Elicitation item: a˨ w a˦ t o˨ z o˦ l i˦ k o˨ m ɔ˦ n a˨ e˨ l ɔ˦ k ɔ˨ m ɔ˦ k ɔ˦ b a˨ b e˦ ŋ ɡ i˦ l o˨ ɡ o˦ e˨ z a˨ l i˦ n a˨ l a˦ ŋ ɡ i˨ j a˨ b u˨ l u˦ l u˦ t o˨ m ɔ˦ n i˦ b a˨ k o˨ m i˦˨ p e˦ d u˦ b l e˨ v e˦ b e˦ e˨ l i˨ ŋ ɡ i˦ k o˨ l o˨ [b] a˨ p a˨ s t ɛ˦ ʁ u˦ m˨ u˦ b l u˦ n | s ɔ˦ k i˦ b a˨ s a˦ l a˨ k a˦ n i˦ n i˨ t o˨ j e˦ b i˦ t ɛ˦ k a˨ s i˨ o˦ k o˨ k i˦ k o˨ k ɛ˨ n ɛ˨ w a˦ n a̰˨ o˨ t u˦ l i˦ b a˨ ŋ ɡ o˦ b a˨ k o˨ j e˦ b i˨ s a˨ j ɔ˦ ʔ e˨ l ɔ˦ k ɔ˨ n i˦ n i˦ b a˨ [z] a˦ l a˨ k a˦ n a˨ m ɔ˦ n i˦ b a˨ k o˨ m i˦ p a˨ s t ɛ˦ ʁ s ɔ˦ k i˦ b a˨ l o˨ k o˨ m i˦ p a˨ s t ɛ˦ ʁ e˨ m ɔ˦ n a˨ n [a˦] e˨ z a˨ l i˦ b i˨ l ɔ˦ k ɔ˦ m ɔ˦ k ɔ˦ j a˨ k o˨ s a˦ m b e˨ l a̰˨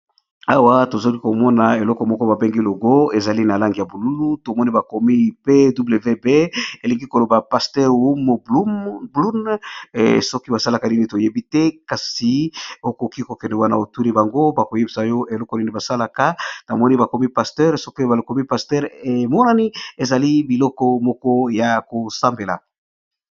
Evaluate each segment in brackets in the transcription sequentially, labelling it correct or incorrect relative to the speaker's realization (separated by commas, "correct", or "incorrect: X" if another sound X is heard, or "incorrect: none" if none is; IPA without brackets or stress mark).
correct, incorrect: s, incorrect: i˦